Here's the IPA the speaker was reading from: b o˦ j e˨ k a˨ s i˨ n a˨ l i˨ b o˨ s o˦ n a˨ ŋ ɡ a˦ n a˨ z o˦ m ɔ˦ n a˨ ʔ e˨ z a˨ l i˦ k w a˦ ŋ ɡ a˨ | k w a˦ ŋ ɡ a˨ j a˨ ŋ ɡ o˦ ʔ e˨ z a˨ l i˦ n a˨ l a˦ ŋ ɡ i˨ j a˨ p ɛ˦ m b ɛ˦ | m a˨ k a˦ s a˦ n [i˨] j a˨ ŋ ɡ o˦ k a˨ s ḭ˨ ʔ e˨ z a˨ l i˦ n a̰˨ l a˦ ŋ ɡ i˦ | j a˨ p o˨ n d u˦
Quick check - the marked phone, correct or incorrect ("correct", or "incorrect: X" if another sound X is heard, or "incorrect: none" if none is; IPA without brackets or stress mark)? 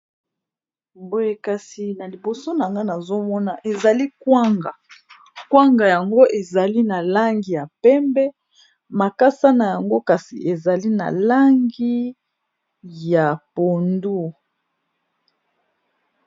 incorrect: a˨